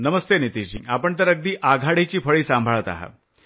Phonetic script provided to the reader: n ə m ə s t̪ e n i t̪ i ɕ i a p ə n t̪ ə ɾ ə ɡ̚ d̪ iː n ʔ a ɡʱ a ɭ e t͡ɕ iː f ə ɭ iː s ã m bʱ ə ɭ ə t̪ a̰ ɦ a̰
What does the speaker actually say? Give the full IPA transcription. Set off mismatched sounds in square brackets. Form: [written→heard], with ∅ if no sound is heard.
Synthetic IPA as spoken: n ə m ə s t̪ e n i t̪ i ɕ i a p ə [n→ɳ] t̪ ə ɾ ə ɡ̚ d̪ iː [n→∅] ʔ a ɡʱ a [ɭ→ɽ] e t͡ɕ iː f ə ɭ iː s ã m bʱ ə ɭ ə t̪ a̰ ɦ a̰